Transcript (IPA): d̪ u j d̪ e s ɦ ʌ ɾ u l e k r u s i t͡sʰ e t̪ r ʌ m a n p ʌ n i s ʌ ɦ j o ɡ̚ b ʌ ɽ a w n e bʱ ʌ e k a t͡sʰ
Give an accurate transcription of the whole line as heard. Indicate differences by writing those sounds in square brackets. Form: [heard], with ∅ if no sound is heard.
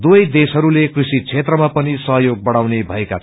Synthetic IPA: d̪ u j d̪ e s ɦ ʌ ɾ u l e k r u s i t͡sʰ e t̪ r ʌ m a [∅] p ʌ n i s ʌ ɦ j o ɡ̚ b ʌ ɽ a w n e bʱ ʌ e k a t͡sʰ